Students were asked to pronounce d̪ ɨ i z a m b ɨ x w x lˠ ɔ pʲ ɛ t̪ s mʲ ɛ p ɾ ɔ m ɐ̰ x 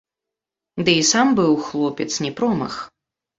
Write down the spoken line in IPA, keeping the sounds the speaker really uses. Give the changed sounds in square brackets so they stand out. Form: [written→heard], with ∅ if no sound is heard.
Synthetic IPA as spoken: d̪ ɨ i [z→s] a m b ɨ [x→∅] w x lˠ ɔ pʲ ɛ t̪ s [mʲ→nʲ] ɛ p ɾ ɔ m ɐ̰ x